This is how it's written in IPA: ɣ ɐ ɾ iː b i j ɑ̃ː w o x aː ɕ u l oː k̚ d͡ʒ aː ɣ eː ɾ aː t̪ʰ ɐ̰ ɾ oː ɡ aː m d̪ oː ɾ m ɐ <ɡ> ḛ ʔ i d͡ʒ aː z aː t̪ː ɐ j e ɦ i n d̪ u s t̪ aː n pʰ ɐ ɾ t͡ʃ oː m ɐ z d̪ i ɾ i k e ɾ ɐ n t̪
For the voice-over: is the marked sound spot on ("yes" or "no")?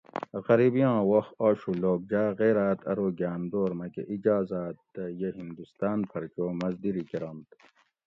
no